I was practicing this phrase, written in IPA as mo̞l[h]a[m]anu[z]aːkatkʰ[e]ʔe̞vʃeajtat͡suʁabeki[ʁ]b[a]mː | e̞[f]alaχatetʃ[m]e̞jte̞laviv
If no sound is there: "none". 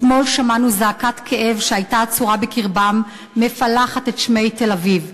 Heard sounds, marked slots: ʃ, m, z, e, ʁ, a, f, m

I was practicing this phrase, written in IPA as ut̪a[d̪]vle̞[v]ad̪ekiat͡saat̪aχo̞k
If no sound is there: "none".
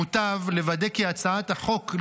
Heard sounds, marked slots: none, v

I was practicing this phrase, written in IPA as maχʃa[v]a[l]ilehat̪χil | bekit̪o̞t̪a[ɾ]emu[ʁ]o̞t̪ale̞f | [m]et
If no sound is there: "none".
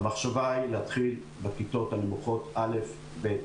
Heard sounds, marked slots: v, none, l, χ, b

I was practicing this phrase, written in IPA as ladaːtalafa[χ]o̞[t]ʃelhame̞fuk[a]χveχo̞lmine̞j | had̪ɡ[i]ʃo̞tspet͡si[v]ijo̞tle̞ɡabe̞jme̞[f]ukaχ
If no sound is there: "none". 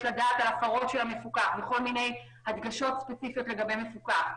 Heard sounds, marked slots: ʁ, t, a, a, f, f

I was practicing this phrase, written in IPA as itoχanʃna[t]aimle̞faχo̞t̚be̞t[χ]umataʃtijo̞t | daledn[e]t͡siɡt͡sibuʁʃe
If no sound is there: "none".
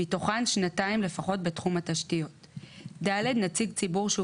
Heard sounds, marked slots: t, χ, a

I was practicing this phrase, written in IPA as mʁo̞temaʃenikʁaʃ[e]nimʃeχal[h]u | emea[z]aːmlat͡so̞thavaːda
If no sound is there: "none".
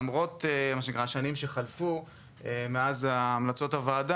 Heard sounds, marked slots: a, f, z

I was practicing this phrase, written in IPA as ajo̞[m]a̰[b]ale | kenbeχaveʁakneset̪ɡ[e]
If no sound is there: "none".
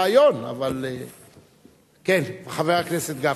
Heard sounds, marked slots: n, v, a

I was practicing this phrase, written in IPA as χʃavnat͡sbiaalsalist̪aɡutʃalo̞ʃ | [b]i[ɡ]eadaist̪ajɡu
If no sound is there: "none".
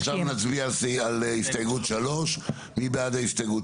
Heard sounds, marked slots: m, b

